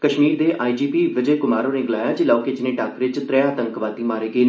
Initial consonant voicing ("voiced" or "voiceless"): voiceless